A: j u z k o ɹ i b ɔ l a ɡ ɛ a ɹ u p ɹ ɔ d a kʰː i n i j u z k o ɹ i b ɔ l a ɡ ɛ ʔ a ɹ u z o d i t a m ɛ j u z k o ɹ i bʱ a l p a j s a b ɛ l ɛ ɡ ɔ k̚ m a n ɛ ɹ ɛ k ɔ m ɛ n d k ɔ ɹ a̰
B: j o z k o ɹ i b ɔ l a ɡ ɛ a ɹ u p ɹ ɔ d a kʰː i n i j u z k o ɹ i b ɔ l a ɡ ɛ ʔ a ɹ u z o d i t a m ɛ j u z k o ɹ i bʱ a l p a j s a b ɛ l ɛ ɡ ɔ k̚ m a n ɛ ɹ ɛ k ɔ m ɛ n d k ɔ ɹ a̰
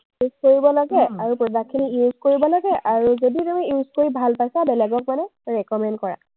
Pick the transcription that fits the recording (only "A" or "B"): A